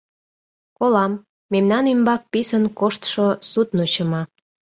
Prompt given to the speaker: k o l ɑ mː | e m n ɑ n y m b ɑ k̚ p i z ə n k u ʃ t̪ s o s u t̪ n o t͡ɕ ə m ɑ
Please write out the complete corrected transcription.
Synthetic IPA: k o l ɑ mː | e m n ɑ n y m b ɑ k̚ p i s ə n k o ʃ t̪ ʃ o s u t̪ n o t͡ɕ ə m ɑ